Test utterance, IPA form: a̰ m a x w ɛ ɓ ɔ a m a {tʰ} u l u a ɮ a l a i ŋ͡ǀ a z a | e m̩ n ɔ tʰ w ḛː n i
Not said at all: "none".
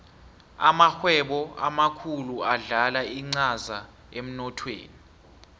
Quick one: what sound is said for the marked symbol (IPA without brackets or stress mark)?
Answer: kʰ